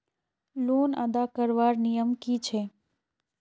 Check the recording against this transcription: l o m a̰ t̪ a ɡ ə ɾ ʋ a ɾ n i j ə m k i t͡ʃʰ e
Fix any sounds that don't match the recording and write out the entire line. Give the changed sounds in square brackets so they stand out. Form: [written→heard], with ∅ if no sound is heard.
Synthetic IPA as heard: l o [m→n] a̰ [t̪→d̪] a [ɡ→k] ə ɾ ʋ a ɾ n i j ə m k i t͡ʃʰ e